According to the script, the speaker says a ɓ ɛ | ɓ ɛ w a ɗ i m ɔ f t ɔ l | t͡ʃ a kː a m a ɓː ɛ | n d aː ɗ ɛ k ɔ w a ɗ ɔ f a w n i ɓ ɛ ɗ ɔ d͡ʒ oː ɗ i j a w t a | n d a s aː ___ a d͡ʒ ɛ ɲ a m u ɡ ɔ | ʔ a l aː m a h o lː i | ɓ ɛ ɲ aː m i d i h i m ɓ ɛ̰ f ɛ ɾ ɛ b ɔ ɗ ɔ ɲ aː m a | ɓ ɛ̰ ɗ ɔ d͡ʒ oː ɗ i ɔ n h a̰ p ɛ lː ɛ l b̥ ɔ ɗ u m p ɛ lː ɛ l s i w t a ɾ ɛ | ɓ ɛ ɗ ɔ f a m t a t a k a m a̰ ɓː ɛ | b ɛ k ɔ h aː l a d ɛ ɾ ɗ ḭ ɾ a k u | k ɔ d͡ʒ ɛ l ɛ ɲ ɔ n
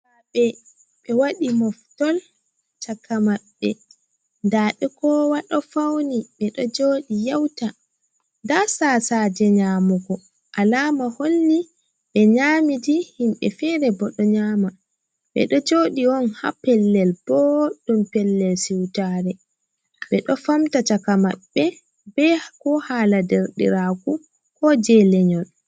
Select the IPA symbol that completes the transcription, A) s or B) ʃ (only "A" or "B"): A